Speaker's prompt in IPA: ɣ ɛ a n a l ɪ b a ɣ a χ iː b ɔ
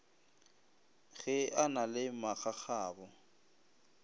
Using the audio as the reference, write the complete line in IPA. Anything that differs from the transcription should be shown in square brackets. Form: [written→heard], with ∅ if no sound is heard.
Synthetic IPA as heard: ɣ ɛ a n a l ɪ [b→m] a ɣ a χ [iː→aː] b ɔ